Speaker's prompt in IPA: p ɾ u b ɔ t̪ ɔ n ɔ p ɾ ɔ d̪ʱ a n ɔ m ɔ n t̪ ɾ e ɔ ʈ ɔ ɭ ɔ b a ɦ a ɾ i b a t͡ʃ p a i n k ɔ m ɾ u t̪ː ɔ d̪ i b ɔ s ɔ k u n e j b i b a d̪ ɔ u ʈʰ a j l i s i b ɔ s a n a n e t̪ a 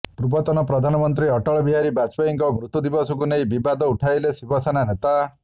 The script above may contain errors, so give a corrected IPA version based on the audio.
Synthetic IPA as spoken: p ɾ u b ɔ t̪ ɔ n ɔ p ɾ ɔ d̪ʱ a n ɔ m ɔ n t̪ ɾ i ɔ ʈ ɔ ɭ ɔ b i ɦ a ɾ i b a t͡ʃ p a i ŋ k ɔ m ɾ u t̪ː u d̪ i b ɔ s ɔ k u n e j b i b a d̪ ɔ u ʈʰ a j l e s i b ɔ s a n a n e t̪ a